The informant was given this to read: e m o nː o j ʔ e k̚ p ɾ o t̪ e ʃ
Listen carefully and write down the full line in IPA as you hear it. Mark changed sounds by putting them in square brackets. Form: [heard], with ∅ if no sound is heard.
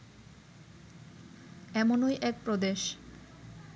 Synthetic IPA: [ɛ] m o [n] o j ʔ [ɛ] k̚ p ɾ o [d̪] e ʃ